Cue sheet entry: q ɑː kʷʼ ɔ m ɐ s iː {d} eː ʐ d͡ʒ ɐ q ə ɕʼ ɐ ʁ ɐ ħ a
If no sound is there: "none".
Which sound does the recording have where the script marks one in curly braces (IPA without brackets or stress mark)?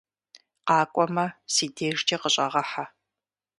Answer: d